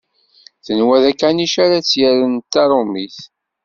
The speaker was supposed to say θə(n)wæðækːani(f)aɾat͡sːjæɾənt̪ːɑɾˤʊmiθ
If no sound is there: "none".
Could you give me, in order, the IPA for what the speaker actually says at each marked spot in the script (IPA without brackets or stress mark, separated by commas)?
n, ʃ